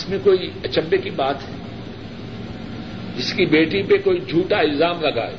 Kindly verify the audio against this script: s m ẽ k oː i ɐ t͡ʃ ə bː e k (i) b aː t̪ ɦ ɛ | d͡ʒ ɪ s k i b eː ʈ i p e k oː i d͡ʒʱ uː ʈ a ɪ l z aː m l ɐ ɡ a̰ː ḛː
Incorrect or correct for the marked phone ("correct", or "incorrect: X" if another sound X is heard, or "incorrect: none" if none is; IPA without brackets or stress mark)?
correct